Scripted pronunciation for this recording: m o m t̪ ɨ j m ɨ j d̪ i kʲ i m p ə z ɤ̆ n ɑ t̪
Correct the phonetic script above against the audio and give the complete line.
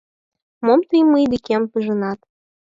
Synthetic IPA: m o m t̪ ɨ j m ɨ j d̪ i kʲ e m p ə ʒ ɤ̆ n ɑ t̪